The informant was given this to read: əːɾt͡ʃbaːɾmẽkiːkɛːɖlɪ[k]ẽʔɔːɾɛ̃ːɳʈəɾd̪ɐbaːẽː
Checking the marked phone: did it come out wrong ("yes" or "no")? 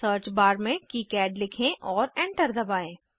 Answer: yes